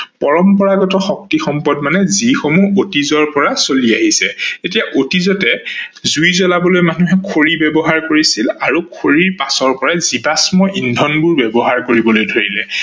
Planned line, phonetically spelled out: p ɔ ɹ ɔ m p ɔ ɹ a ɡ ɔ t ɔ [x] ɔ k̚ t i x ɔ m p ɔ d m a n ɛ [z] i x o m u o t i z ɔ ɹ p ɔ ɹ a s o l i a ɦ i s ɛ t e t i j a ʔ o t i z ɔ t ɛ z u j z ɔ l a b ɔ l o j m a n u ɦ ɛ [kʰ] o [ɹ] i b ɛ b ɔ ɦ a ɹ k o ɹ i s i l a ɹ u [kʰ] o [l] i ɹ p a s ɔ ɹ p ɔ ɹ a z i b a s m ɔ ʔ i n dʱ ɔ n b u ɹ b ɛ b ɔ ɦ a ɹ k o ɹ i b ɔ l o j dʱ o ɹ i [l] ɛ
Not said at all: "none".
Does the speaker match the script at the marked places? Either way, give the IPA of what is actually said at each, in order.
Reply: x, z, kʰ, ɹ, kʰ, ɹ, l

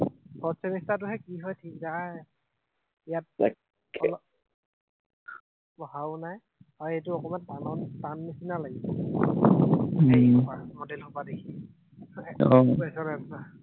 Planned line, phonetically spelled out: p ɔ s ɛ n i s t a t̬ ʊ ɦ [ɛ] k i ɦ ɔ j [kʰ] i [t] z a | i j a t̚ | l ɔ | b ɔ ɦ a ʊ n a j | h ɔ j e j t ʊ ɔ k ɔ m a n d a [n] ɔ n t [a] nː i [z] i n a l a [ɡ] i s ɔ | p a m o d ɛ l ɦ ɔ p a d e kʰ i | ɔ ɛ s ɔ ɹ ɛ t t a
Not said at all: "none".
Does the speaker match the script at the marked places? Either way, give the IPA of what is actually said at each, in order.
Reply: ɛ, tʰ, k, n, a, s, ɡ

